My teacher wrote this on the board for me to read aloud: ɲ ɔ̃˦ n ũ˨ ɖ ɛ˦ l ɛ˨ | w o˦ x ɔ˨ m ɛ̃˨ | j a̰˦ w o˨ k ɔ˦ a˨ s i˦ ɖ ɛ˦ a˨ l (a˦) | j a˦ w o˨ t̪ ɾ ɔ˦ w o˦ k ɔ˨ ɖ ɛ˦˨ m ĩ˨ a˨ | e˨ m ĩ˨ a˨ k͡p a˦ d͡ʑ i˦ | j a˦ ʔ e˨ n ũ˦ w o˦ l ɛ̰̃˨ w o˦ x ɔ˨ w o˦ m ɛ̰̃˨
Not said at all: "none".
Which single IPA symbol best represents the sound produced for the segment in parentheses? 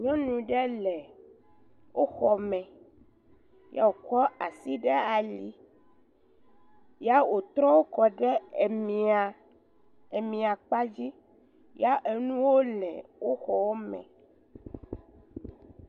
i˦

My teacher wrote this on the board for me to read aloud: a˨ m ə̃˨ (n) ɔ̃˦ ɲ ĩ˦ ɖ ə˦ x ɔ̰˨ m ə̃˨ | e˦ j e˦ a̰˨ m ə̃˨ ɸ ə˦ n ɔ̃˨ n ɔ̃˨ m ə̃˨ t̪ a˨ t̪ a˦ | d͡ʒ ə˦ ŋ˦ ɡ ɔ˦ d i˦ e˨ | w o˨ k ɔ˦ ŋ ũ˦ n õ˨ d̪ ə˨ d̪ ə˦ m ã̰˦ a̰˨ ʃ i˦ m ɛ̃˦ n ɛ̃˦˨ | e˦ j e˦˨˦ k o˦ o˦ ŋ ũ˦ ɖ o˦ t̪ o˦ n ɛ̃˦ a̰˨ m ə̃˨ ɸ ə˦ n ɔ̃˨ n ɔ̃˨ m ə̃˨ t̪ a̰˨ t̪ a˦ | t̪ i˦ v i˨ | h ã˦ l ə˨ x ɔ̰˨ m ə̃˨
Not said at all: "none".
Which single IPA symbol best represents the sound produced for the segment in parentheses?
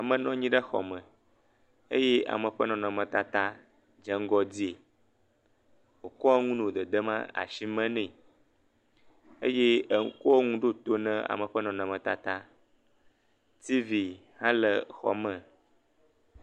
n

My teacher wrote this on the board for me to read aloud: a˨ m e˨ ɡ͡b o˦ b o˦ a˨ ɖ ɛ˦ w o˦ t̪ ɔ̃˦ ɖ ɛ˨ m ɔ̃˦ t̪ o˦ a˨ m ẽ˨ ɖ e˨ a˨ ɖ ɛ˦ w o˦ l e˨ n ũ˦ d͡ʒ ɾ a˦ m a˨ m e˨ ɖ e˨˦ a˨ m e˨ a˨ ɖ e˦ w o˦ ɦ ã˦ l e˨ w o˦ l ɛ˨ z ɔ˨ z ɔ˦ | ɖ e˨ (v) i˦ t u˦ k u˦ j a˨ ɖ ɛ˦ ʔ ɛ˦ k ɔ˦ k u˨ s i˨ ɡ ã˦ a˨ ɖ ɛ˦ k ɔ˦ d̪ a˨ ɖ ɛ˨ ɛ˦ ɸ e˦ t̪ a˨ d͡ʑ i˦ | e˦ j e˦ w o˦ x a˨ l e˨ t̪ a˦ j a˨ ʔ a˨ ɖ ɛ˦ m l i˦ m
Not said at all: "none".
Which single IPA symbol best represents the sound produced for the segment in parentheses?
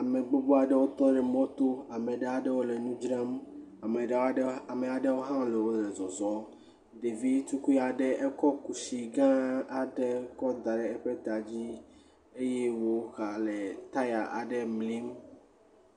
v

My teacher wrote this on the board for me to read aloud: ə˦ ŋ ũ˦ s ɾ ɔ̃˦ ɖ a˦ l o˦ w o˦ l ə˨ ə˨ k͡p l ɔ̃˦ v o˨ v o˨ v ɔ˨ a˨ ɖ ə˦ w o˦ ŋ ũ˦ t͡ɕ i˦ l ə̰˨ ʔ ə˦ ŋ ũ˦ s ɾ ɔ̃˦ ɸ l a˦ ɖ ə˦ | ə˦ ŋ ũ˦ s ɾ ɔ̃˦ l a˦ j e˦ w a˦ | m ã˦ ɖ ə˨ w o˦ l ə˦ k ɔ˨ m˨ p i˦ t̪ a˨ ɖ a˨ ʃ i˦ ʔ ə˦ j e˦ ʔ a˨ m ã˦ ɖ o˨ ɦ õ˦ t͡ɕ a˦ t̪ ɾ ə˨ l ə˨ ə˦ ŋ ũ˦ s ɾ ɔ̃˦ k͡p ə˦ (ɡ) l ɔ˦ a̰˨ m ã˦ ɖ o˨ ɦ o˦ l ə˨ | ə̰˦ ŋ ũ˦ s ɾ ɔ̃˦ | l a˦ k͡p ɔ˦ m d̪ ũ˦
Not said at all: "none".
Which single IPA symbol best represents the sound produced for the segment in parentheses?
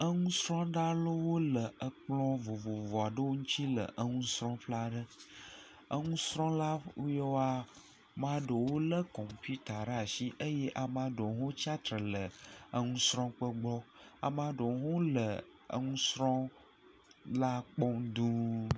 ɡ͡b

